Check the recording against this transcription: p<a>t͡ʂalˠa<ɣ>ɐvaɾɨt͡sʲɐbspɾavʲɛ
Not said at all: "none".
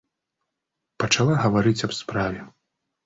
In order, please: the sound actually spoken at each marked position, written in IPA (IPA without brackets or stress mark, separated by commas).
ɐ, ɣ